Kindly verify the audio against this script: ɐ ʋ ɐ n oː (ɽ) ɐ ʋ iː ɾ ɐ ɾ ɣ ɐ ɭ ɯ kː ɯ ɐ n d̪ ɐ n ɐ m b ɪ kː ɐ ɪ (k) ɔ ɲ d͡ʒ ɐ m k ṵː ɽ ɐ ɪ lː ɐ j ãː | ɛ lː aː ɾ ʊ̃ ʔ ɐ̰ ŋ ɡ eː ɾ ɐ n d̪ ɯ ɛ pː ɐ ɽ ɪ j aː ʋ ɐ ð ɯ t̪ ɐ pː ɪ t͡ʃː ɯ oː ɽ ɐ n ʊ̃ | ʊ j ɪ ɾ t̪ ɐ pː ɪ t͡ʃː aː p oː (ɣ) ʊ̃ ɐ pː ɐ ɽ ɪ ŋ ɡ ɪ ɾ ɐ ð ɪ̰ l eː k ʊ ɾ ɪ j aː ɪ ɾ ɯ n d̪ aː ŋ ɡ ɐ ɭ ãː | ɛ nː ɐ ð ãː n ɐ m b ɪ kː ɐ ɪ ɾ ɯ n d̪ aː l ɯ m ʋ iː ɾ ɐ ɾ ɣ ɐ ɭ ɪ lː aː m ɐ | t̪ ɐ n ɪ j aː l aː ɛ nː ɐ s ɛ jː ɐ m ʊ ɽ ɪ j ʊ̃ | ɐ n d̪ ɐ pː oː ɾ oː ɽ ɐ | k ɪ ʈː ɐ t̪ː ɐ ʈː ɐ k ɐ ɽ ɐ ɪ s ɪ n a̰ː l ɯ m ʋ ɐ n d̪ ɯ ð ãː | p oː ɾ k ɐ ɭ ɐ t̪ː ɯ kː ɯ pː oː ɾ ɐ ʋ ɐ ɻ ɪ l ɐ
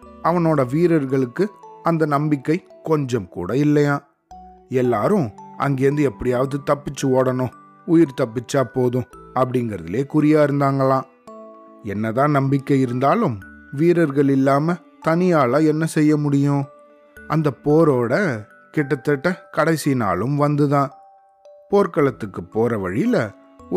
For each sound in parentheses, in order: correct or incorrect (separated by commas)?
correct, correct, incorrect